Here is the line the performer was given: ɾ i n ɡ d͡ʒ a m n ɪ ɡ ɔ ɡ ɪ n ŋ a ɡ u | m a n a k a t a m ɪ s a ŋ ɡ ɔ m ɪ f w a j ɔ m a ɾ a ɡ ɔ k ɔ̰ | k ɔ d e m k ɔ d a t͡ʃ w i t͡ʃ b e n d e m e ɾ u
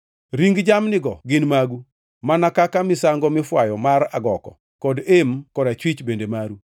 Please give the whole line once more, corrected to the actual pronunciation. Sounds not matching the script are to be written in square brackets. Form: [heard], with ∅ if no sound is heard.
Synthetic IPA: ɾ i [ŋ] ɡ d͡ʒ a m n ɪ ɡ ɔ ɡ ɪ n [m] a ɡ u | m a n a k a [k] a m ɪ s a ŋ ɡ ɔ m ɪ f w a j ɔ m a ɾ a ɡ ɔ k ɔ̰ | k ɔ d e m k ɔ d a t͡ʃ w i t͡ʃ b e n d e m [a] ɾ u